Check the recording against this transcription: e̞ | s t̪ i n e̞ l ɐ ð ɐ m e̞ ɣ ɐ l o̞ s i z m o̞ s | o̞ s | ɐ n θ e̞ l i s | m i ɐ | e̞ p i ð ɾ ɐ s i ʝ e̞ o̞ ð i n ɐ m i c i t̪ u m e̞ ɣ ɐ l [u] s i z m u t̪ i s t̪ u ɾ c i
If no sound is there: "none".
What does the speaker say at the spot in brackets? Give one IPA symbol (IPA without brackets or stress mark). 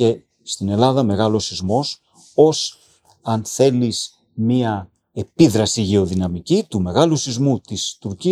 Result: u